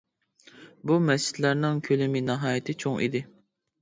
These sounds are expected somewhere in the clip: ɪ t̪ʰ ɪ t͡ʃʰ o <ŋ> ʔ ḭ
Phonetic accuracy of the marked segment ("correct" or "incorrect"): correct